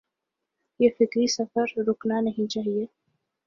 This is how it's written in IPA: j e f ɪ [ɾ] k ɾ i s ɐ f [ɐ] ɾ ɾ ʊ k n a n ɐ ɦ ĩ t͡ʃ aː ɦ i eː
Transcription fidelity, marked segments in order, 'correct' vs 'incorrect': incorrect, incorrect

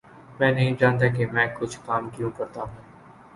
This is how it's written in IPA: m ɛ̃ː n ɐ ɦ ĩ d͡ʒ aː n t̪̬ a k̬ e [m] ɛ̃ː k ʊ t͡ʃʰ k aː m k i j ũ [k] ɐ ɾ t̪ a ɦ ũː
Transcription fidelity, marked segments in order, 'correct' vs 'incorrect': correct, correct

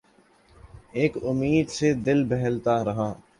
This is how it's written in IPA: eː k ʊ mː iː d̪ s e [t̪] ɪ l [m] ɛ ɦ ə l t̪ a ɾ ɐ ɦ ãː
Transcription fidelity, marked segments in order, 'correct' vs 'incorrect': incorrect, incorrect

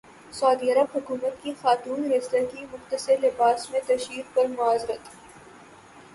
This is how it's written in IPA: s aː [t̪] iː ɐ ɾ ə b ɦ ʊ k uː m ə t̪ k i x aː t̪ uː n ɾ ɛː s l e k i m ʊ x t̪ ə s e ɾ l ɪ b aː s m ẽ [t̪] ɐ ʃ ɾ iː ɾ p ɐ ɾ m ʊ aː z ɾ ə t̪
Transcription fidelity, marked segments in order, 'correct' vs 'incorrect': incorrect, correct

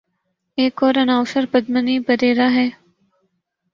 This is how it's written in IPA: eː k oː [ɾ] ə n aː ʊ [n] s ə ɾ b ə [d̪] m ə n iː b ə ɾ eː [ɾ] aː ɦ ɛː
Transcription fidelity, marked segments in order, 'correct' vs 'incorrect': correct, incorrect, correct, correct

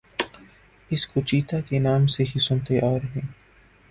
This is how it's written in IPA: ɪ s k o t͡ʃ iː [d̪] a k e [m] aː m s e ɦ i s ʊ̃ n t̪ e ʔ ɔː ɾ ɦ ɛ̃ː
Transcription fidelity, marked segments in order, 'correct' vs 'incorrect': incorrect, incorrect

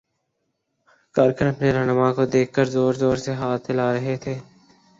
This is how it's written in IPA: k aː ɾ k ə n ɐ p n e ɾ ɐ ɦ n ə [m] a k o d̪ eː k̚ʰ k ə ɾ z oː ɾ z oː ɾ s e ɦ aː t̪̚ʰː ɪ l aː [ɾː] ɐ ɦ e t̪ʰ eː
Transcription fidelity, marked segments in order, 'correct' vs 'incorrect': correct, incorrect

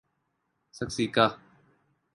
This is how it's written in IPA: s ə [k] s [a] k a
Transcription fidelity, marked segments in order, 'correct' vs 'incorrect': correct, incorrect

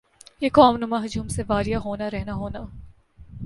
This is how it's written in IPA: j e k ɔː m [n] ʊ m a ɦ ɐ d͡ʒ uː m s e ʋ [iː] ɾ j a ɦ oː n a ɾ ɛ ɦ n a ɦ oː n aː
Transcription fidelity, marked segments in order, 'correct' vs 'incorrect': correct, incorrect

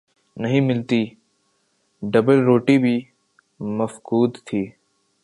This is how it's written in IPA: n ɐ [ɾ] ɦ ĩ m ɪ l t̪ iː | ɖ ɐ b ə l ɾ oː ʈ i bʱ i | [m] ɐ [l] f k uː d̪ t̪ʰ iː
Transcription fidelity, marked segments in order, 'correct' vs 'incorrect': incorrect, correct, incorrect

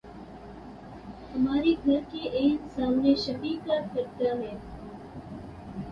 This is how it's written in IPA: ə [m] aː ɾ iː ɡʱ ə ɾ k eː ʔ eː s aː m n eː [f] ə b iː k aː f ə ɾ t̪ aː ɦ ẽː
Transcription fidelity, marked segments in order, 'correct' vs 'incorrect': correct, incorrect

